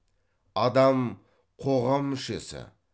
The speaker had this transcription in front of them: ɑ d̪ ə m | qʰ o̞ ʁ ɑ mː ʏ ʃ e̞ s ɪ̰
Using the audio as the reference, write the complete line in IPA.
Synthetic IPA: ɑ d̪ ɑ m | qʰ o̞ ʁ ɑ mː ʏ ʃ e̞ s ɪ̰